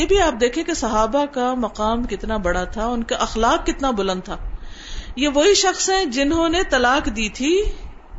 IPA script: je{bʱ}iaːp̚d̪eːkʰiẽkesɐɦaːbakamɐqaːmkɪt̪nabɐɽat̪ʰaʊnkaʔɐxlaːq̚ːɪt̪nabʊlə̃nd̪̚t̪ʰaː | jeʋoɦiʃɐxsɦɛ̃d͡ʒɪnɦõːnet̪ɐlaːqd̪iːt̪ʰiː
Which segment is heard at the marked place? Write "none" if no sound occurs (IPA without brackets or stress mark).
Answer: bʱ